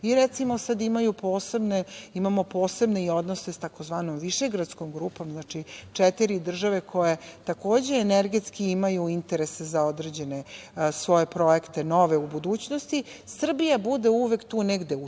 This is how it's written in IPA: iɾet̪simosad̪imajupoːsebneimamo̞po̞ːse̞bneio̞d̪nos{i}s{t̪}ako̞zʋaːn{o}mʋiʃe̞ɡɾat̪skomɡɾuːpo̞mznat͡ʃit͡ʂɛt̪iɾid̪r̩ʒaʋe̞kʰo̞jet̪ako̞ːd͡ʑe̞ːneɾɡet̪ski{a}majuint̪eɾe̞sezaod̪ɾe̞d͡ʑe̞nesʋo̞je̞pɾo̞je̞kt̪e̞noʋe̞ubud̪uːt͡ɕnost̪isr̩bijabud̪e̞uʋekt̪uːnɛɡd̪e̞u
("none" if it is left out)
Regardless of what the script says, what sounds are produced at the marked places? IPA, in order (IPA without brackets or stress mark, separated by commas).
e, t̪, o, i